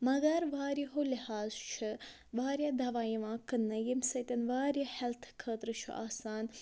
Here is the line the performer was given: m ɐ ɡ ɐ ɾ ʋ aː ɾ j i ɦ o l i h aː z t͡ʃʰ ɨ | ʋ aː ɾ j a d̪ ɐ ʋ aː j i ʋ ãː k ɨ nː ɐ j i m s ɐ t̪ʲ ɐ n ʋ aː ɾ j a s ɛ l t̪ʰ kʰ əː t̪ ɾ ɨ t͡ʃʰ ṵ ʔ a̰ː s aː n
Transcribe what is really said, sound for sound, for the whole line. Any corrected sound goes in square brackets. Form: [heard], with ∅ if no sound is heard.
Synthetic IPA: m ɐ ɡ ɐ ɾ ʋ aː ɾ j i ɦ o l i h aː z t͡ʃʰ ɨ | ʋ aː ɾ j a d̪ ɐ ʋ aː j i ʋ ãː k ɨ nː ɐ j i m s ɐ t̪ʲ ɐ n ʋ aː ɾ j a [h] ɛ l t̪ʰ kʰ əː t̪ ɾ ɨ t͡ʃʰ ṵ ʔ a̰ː s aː n

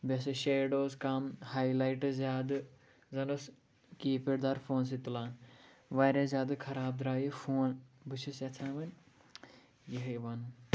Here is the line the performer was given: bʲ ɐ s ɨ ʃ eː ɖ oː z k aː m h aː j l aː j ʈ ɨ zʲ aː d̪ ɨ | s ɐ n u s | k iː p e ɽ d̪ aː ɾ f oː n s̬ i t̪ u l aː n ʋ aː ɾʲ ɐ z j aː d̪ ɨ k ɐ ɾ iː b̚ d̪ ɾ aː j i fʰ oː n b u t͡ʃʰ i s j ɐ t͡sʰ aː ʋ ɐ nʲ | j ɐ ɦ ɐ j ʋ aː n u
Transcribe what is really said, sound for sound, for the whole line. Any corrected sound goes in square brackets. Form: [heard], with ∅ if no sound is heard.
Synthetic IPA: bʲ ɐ s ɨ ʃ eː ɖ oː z k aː m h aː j l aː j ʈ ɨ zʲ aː d̪ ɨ | [z] ɐ n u s | k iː p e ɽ d̪ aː ɾ f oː n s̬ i t̪ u l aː n ʋ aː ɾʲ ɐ z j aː d̪ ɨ [kʰ] ɐ ɾ [aː] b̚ d̪ ɾ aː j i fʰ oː n b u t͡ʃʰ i s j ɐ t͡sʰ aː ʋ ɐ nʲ | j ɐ ɦ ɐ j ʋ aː n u

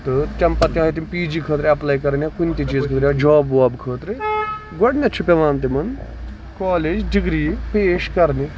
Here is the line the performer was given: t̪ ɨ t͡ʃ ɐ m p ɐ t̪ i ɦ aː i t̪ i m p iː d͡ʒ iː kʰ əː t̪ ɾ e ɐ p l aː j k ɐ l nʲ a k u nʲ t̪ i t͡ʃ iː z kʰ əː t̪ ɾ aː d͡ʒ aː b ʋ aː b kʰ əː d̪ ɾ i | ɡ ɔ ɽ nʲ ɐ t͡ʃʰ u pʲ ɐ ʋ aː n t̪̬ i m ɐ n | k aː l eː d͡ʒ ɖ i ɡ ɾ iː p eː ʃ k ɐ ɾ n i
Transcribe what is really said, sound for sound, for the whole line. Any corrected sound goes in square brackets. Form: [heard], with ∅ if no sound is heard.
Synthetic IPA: t̪ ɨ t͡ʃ ɐ m p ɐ t̪ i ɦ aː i t̪ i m p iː d͡ʒ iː kʰ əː t̪ ɾ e ɐ p l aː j k ɐ [ɾ] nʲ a k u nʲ t̪ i t͡ʃ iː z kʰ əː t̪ ɾ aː d͡ʒ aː b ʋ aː b kʰ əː [t̪] ɾ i | ɡ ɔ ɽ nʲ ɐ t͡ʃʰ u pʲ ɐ ʋ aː n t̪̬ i m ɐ n | k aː l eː d͡ʒ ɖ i ɡ ɾ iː p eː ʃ k ɐ ɾ n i

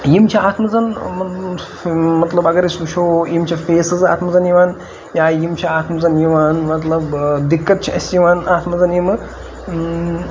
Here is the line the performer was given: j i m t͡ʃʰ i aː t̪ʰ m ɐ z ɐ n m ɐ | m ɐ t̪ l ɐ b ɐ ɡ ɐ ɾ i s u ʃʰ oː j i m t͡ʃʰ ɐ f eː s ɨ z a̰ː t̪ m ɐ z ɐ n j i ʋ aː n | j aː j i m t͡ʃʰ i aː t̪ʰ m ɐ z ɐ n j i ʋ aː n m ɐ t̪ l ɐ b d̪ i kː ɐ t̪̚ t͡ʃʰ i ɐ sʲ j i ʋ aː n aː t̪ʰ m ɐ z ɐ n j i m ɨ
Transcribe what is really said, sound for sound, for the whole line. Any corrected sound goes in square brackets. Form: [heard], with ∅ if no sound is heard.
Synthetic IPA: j i m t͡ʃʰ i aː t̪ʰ m ɐ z ɐ n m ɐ | m ɐ t̪ l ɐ b ɐ ɡ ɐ ɾ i s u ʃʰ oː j i m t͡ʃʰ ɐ f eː s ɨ z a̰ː t̪ m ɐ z ɐ n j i ʋ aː n | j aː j i m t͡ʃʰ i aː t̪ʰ m ɐ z ɐ n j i ʋ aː n m ɐ t̪ l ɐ b d̪ i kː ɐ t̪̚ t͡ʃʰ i ɐ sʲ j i ʋ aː n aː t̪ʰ m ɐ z ɐ n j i m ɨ

